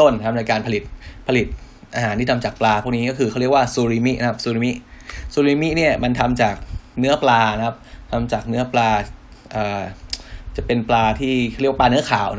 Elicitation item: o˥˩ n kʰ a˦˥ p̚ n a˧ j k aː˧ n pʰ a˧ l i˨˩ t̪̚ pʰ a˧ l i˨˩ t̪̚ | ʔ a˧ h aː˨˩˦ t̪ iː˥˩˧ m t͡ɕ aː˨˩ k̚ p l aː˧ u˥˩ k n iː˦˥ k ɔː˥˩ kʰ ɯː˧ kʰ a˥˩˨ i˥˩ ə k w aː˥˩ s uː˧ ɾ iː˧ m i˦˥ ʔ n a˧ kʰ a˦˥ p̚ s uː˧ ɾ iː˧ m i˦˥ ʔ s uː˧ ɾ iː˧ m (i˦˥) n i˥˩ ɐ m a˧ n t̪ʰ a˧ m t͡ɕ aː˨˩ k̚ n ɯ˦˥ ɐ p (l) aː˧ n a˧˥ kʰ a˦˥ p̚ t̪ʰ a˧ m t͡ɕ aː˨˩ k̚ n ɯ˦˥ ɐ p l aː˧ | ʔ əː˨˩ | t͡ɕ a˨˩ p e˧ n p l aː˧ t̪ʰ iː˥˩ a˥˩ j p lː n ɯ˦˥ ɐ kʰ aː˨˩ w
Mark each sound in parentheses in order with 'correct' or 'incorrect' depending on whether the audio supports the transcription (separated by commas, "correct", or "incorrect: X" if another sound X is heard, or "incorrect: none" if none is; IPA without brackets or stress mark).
correct, correct